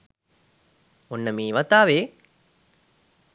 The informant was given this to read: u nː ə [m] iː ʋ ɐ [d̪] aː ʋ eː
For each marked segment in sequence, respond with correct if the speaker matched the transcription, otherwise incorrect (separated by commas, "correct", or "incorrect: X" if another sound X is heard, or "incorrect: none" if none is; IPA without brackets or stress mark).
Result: correct, incorrect: t̪